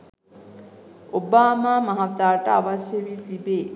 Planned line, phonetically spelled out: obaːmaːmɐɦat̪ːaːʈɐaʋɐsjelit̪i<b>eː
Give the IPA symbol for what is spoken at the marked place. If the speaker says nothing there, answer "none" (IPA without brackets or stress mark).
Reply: b